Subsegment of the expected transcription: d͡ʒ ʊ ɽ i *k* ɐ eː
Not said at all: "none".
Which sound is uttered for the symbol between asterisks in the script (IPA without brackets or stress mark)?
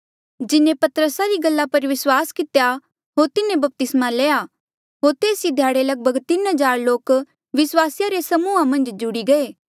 ɡ